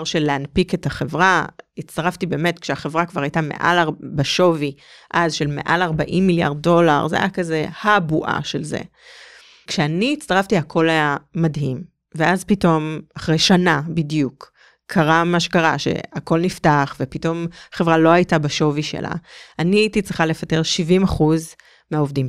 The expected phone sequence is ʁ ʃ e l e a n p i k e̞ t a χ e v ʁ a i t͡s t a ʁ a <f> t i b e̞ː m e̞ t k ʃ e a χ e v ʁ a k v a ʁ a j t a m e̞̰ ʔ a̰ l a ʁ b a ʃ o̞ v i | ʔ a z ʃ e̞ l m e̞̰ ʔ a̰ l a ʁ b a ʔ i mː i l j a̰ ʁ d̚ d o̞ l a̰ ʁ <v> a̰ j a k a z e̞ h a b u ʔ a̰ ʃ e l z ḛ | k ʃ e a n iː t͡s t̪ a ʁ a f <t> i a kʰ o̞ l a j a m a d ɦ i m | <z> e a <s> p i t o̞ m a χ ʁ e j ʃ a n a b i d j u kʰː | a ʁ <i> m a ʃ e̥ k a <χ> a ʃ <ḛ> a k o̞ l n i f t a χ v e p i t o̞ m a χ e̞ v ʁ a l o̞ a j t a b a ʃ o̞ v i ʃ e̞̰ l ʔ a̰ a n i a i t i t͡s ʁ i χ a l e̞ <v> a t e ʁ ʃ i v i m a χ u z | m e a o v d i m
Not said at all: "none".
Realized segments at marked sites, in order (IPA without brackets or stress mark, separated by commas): f, z, t, v, z, a, ʁ, ḛ, f